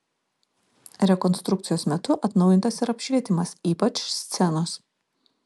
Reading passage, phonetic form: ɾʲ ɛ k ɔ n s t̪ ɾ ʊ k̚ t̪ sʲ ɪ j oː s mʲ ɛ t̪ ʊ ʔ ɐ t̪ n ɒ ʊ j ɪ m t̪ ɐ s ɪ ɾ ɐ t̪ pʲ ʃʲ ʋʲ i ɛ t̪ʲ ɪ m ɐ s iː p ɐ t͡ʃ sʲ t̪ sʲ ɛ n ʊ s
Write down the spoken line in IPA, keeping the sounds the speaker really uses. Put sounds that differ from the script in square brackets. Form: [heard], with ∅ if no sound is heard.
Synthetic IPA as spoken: ɾʲ ɛ k ɔ n s t̪ ɾ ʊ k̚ t̪ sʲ ɪ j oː s mʲ ɛ t̪ ʊ ʔ ɐ t̪ n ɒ ʊ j ɪ [n] t̪ ɐ s ɪ ɾ ɐ [∅] pʲ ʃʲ ʋʲ i ɛ t̪ʲ ɪ m ɐ s iː p ɐ t͡ʃ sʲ t̪ sʲ ɛ n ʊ s